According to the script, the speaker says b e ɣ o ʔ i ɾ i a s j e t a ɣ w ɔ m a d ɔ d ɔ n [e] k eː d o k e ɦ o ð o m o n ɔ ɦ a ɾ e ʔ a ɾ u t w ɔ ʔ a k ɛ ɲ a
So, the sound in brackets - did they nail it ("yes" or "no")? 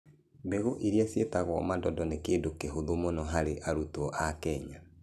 yes